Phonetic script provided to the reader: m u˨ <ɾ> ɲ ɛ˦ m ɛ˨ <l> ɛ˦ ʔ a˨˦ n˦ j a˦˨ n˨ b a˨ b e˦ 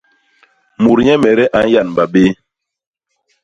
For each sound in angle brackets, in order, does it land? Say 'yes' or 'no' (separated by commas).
yes, no